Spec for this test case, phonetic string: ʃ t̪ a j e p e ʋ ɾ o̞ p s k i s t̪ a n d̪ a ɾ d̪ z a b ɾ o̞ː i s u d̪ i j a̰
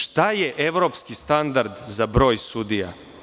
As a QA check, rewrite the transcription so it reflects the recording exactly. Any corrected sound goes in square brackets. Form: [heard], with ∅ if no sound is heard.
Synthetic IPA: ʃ t̪ a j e [ʔ] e ʋ ɾ o̞ p s k i s t̪ a n d̪ a ɾ d̪ z a b ɾ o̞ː [j] s u d̪ i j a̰